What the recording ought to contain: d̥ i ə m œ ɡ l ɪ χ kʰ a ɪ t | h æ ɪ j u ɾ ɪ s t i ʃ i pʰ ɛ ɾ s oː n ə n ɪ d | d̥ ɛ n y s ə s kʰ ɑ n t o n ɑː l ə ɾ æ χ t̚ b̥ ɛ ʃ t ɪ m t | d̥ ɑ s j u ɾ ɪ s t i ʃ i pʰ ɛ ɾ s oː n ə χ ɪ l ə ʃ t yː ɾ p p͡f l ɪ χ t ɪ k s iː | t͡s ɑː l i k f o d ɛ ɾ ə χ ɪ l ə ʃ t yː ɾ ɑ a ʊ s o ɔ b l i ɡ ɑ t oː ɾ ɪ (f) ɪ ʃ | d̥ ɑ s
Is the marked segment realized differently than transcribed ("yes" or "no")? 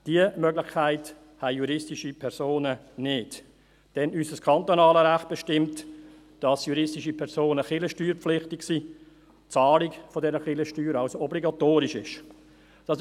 yes